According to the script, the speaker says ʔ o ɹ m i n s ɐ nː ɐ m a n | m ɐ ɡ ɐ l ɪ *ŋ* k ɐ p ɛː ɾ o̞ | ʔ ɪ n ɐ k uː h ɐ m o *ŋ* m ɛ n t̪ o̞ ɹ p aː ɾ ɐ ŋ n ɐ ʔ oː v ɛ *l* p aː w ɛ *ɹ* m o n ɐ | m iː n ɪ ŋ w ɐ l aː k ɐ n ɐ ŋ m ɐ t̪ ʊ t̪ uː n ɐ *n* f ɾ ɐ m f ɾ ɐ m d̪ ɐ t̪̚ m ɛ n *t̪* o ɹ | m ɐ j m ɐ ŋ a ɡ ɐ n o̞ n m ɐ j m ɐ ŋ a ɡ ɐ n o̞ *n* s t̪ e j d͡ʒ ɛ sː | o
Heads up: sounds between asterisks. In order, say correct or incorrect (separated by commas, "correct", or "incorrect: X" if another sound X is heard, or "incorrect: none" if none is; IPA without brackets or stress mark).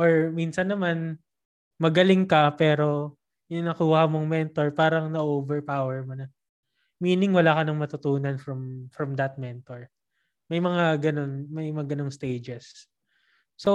correct, correct, incorrect: ɹ, correct, correct, correct, incorrect: ŋ